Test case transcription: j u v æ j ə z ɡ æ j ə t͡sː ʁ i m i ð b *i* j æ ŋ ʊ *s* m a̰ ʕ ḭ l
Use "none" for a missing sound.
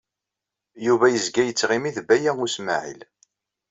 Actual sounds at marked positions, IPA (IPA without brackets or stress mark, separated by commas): æ, s